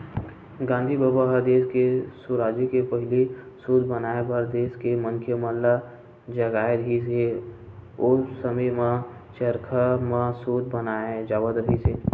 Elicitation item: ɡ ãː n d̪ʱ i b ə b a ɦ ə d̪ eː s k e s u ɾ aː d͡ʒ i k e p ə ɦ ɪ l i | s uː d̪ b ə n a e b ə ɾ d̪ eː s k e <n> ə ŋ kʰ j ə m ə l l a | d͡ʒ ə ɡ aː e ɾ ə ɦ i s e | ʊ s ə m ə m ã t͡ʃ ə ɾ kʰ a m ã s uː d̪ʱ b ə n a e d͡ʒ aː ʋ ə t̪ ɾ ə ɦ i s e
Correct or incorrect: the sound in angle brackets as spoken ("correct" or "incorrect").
incorrect